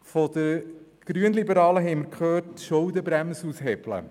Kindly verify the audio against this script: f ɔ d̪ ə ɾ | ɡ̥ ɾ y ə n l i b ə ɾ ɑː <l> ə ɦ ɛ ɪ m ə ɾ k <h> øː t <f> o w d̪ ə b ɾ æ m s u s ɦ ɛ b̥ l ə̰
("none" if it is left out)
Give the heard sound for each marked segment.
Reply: l, χ, ʃ

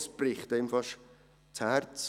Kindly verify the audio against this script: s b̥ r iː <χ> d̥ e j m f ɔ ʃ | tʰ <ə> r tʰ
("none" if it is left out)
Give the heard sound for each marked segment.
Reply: χ, a

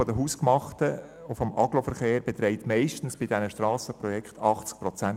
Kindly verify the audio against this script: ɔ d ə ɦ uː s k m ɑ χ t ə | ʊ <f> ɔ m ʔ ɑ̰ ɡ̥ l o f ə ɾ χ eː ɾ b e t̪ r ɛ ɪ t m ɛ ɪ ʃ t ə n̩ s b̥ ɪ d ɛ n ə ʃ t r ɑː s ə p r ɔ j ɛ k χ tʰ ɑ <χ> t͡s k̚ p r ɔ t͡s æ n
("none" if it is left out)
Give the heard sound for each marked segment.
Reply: f, χ

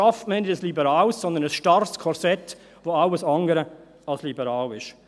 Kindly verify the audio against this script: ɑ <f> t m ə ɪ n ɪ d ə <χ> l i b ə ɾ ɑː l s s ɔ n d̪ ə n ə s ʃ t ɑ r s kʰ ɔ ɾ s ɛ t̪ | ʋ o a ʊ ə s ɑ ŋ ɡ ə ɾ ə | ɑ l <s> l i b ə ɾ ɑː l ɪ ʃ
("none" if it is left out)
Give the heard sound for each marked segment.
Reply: f, s, s

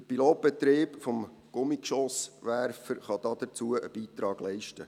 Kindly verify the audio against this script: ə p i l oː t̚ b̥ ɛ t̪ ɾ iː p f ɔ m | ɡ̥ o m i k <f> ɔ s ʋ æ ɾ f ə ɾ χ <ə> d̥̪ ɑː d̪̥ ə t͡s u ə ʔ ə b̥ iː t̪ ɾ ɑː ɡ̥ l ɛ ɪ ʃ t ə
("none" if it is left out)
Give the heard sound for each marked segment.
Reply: ʃ, ɑ

